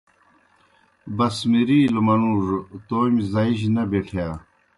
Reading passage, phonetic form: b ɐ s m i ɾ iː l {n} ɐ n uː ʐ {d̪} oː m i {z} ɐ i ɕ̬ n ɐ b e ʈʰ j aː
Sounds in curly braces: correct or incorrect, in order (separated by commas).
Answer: incorrect, incorrect, correct